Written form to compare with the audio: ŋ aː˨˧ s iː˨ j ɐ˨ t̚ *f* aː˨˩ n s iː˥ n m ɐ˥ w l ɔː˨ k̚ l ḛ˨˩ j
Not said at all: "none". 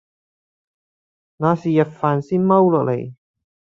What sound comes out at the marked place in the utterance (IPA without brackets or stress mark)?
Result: f